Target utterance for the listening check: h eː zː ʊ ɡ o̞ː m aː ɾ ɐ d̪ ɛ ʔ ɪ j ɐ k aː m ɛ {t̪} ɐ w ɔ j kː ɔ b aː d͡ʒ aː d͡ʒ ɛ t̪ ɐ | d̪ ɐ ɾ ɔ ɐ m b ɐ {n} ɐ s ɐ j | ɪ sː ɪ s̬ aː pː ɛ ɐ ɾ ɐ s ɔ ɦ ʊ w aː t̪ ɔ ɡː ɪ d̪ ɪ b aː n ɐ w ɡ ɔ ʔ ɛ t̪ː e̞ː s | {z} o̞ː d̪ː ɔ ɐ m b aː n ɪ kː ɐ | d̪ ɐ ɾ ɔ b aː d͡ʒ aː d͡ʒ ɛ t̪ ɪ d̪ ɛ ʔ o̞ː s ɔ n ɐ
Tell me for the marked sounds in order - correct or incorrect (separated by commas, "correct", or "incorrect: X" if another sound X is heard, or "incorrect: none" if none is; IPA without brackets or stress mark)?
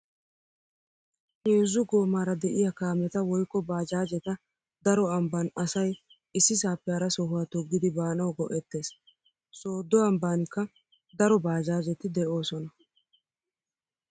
correct, correct, incorrect: s